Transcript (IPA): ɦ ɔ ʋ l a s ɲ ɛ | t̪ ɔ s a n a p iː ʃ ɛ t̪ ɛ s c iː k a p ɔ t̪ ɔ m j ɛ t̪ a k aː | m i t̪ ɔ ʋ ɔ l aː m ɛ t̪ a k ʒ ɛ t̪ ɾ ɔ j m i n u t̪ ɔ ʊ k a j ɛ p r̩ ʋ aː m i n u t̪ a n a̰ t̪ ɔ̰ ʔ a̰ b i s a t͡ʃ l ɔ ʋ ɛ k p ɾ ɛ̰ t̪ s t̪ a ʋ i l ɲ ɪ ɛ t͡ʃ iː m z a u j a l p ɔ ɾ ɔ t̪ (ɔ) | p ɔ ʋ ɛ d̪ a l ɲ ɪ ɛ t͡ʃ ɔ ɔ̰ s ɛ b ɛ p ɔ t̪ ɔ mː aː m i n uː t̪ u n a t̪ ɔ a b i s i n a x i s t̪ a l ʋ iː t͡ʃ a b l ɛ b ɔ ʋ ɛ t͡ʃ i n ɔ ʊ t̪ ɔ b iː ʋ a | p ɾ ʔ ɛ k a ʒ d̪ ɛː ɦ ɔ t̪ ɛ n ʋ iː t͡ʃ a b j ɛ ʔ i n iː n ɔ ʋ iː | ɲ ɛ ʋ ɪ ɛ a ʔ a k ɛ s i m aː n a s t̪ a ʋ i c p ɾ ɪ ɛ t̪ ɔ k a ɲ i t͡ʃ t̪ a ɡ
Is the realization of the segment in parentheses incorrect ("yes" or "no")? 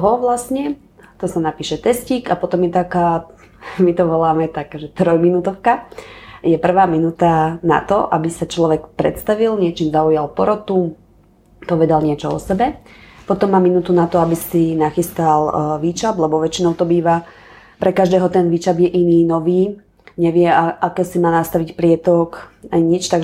yes